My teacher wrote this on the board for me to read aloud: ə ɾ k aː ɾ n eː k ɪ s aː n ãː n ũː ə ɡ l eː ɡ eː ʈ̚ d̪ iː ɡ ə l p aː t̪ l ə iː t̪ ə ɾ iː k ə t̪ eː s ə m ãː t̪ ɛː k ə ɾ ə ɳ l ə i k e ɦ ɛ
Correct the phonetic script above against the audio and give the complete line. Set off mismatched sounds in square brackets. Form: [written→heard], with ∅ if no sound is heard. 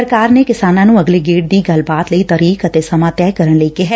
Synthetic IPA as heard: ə ɾ k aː ɾ n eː k ɪ s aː n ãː n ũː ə ɡ l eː ɡ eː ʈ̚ d̪ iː ɡ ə l [p→b] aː t̪ l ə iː t̪ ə ɾ iː k ə t̪ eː s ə m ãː t̪ ɛː k ə ɾ ə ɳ l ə i k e ɦ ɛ